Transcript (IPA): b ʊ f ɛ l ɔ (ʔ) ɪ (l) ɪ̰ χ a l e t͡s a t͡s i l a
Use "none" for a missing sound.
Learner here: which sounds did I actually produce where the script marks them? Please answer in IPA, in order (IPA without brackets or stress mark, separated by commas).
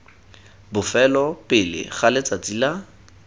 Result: p, l